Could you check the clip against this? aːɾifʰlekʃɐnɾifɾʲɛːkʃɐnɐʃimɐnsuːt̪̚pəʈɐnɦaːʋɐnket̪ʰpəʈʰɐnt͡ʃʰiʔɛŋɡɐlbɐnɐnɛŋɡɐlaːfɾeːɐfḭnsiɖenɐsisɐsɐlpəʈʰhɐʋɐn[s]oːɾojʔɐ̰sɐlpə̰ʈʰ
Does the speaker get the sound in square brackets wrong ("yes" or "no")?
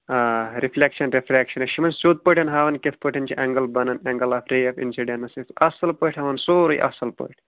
no